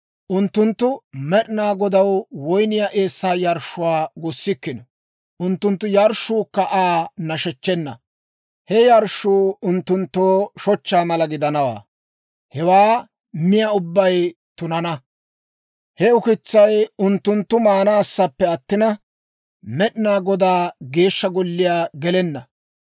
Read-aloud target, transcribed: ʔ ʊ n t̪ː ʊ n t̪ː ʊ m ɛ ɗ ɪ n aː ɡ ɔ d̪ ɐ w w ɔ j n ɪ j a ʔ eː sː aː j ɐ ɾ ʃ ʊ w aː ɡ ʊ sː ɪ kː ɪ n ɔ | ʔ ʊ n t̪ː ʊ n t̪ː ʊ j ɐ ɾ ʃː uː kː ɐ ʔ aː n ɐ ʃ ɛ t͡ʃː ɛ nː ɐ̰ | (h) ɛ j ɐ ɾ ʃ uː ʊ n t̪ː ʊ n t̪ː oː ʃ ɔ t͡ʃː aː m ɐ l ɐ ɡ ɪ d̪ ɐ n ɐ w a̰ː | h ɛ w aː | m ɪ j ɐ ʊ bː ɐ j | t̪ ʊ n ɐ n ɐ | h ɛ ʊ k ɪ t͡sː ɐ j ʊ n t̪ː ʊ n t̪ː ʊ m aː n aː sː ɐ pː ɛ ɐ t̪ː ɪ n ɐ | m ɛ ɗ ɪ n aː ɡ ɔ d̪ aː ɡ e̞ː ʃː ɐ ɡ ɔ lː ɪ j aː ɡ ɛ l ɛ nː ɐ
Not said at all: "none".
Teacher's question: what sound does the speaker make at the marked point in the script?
h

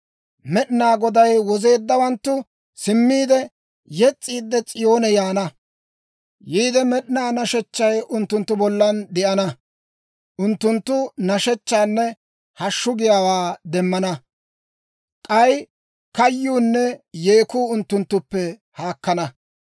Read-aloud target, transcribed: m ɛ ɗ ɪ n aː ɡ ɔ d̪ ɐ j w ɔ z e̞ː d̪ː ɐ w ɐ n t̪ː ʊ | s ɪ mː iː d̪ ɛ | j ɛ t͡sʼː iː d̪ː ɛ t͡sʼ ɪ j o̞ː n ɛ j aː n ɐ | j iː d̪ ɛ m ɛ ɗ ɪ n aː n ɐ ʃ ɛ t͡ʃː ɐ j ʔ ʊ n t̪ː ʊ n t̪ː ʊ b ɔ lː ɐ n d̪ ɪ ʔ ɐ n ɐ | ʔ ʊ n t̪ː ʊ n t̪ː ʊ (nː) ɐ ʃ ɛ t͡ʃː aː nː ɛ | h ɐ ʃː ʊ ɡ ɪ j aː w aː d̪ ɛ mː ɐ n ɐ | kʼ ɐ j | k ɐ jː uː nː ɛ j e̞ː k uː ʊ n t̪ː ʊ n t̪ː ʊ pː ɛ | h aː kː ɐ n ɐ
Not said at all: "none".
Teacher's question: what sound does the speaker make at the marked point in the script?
n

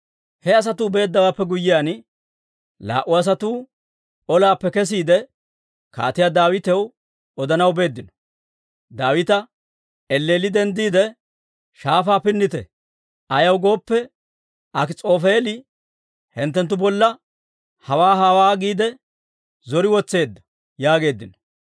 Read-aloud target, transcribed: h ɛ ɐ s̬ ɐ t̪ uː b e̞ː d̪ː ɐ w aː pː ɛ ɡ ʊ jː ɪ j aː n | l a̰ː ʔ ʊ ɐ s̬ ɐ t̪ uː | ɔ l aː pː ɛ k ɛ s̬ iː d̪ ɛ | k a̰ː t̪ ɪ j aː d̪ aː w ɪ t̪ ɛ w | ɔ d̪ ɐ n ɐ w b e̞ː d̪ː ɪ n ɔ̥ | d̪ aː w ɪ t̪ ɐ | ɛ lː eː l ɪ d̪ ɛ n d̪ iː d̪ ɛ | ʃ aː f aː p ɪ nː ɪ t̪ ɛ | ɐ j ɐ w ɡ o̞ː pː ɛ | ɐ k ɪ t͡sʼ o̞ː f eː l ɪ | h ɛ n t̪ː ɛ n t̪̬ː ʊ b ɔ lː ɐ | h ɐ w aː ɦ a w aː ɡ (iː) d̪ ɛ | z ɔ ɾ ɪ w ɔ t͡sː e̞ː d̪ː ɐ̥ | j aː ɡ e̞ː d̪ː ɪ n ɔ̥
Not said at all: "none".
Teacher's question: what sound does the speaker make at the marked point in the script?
iː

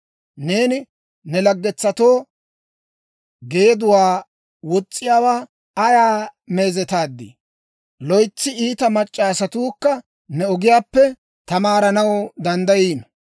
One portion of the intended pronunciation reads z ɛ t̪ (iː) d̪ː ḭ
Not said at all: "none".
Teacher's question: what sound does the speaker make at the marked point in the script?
aː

